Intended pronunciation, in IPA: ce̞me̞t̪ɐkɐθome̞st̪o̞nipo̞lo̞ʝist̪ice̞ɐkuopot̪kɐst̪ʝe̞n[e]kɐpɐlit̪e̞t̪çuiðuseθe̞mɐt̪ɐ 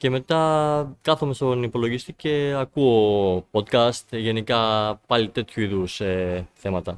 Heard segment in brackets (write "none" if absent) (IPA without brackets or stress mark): i